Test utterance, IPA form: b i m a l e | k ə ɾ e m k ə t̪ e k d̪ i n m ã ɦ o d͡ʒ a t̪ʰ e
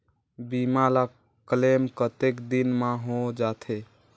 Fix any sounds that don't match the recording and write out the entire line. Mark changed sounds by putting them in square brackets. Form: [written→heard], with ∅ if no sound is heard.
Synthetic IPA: b i m a l [e→a] | k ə [ɾ→l] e m k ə t̪ e k d̪ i n m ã ɦ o d͡ʒ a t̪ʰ e